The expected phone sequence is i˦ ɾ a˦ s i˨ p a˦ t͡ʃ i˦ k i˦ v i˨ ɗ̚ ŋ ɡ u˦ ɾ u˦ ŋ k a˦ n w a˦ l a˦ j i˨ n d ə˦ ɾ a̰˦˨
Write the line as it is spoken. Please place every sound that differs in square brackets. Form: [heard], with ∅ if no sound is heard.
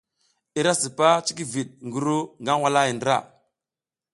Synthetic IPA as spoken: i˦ ɾ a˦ s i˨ p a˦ t͡ʃ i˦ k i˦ v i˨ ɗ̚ ŋ ɡ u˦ ɾ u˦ ŋ [ɡ] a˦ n w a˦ l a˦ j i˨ n d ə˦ ɾ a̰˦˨